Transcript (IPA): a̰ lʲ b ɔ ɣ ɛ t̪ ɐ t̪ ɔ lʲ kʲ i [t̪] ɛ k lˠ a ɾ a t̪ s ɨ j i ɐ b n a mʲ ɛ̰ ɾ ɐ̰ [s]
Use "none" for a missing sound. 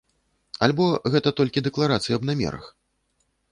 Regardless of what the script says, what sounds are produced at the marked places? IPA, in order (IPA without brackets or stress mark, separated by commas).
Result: d̪, x